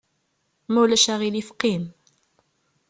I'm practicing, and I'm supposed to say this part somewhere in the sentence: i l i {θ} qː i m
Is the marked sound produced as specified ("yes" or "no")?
no